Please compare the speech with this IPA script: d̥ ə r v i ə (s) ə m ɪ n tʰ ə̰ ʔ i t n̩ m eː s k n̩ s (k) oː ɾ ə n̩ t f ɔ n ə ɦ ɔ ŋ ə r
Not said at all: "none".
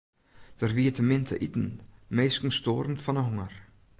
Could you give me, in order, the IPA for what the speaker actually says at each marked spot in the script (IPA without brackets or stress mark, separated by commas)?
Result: t, t